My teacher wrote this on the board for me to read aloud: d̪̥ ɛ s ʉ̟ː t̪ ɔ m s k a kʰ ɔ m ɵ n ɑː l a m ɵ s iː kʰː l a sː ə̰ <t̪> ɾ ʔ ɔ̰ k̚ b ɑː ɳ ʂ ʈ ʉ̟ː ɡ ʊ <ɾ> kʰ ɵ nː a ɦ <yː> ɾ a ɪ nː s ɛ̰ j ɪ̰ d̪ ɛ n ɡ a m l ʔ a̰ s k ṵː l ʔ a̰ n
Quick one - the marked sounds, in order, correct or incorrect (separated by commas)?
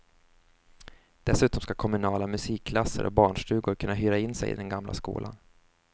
incorrect, correct, correct